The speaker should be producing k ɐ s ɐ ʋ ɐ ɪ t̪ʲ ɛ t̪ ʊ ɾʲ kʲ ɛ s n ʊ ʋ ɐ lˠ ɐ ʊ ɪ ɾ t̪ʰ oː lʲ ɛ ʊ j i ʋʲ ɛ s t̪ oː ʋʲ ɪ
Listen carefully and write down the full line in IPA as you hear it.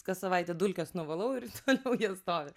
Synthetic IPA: k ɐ s ɐ ʋ ɐ ɪ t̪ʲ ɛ d̪ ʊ lʲ kʲ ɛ s n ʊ ʋ ɐ lˠ ɐ ʊ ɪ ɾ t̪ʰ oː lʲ ɛ ʊ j i ɛ s t̪ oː ʋʲ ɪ